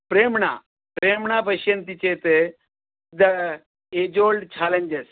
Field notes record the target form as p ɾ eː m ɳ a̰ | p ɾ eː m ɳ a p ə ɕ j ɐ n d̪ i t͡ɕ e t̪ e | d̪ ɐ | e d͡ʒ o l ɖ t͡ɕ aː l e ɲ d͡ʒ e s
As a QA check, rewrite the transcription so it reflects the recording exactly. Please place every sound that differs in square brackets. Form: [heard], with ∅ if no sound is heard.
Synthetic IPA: p ɾ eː m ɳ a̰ | p ɾ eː m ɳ a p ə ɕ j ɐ n [t̪] i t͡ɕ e t̪ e | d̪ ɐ | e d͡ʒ o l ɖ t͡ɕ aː l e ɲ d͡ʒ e s